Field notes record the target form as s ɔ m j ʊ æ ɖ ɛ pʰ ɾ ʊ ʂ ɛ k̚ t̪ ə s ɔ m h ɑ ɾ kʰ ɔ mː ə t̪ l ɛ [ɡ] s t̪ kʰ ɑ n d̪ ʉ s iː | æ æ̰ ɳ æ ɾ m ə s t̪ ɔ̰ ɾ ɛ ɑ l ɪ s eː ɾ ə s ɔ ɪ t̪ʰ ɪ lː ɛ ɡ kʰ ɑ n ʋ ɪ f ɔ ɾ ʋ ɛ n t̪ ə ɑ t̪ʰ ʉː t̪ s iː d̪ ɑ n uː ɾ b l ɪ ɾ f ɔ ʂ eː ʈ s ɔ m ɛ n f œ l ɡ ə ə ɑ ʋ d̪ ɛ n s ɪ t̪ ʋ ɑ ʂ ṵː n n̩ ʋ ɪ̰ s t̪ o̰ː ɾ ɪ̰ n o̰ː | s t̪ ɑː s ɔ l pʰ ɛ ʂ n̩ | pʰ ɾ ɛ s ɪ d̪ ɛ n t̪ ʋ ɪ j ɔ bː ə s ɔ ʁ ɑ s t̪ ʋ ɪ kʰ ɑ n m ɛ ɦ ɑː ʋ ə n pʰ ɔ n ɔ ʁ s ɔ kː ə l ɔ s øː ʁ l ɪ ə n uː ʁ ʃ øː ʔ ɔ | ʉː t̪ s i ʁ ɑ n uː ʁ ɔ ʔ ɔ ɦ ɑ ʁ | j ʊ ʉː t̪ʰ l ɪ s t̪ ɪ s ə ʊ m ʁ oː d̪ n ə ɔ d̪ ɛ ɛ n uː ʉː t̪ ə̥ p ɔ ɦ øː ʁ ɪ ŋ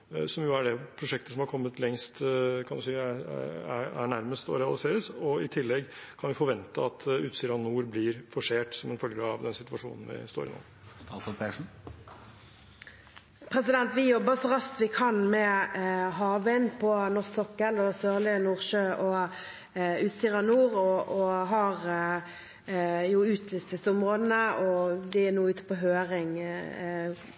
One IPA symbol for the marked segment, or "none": ŋ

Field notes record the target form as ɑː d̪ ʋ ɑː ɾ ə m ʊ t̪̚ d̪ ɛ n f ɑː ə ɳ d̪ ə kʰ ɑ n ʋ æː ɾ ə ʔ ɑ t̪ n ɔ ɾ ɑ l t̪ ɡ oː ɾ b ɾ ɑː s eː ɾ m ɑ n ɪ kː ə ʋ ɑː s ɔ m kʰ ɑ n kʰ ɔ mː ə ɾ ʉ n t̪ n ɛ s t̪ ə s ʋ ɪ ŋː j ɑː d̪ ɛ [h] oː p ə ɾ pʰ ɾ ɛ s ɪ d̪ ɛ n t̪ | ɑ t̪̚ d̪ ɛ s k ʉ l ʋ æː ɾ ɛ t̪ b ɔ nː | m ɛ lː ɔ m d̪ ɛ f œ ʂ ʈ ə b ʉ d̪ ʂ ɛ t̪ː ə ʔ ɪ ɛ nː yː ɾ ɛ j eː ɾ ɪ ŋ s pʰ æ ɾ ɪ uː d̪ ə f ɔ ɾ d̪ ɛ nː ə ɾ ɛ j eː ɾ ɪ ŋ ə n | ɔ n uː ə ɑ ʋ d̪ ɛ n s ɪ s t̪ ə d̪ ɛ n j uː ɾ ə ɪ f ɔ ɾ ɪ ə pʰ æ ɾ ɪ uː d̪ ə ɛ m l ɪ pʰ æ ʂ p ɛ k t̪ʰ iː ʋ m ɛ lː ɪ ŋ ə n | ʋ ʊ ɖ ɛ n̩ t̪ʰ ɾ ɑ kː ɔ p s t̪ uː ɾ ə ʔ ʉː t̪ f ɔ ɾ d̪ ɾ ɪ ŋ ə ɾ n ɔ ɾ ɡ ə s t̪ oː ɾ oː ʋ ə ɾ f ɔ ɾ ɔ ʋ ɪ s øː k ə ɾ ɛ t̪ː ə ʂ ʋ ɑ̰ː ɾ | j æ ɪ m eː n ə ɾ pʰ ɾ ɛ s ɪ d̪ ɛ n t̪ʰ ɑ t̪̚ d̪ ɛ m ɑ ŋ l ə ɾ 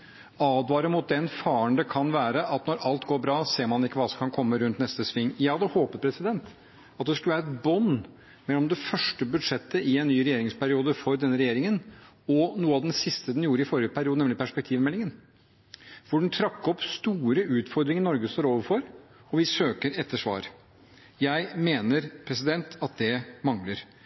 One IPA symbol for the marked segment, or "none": h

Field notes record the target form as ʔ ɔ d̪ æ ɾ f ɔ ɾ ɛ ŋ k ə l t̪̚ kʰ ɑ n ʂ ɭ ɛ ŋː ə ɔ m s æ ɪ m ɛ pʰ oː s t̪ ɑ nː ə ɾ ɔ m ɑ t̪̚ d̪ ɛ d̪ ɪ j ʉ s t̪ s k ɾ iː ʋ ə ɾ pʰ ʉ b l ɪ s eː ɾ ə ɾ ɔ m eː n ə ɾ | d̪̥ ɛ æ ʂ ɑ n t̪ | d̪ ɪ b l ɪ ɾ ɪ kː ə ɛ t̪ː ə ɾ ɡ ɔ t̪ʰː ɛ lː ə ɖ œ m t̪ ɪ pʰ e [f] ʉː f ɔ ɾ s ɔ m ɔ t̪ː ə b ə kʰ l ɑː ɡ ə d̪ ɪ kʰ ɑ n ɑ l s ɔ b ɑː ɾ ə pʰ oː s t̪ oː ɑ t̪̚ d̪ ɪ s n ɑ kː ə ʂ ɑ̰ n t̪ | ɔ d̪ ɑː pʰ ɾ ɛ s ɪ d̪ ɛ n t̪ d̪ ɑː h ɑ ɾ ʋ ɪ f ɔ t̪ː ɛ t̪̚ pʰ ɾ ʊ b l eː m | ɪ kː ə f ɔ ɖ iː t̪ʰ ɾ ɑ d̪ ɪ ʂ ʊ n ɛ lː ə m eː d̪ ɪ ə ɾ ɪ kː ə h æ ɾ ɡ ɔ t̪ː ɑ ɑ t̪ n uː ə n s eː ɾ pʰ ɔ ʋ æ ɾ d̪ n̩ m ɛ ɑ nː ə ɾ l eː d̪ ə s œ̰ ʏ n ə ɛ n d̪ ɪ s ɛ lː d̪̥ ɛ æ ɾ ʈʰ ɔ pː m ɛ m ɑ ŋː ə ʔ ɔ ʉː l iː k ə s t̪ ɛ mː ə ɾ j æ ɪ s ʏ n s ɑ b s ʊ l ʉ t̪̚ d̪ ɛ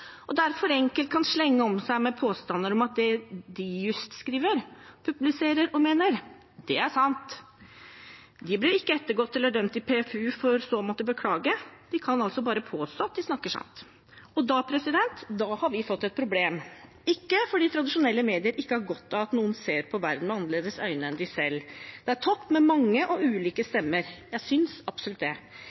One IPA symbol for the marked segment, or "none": f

